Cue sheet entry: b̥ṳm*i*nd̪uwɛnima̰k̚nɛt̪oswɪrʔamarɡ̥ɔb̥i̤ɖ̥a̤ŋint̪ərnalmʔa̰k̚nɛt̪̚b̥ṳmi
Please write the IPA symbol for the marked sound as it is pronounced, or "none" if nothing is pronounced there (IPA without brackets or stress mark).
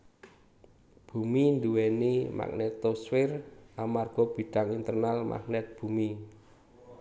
i